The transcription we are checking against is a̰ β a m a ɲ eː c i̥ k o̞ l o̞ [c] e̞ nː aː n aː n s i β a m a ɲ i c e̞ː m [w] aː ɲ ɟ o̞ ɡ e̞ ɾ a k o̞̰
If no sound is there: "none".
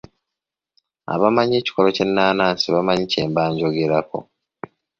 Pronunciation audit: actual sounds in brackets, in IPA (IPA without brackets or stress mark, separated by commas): c, b